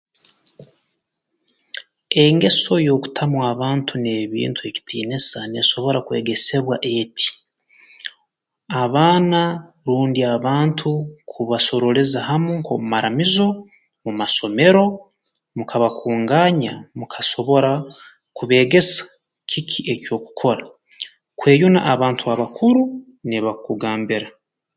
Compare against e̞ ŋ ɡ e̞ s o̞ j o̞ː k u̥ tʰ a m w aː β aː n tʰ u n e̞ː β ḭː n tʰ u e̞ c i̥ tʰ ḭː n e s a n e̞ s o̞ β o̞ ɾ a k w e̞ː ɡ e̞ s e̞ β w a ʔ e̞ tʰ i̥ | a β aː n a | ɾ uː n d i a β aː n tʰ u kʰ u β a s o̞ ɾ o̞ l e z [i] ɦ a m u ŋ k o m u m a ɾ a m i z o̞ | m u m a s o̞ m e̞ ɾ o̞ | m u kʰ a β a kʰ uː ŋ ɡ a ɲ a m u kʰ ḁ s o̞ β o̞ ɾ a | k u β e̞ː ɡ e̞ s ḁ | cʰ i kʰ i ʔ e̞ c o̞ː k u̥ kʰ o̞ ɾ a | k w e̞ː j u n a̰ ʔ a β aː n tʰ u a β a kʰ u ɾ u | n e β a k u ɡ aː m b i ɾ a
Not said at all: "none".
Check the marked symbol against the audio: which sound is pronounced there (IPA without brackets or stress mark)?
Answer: a